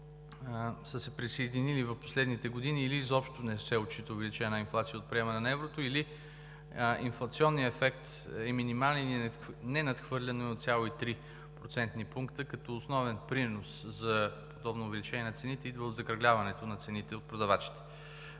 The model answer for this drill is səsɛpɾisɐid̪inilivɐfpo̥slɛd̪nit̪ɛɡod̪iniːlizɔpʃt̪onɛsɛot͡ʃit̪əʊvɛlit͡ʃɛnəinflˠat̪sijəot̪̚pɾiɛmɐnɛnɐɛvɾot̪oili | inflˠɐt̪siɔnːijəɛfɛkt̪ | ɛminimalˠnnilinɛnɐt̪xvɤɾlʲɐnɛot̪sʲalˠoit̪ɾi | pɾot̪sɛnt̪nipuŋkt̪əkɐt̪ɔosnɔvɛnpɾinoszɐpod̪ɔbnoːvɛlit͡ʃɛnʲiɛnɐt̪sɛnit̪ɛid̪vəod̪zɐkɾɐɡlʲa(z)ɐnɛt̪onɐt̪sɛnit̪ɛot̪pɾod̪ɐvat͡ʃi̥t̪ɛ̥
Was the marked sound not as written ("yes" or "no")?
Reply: yes